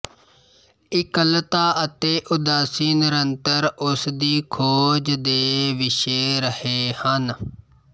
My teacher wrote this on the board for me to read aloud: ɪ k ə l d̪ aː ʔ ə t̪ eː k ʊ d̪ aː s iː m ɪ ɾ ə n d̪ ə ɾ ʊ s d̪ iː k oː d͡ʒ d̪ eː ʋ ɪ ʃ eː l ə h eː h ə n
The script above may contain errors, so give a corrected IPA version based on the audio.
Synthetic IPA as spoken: ɪ k ə l t̪ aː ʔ ə t̪ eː ʔ ʊ d̪ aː s iː n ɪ ɾ ə n t̪ ə ɾ ʊ s d̪ iː kʰ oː d͡ʒ d̪ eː ʋ ɪ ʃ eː ɾ ə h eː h ə n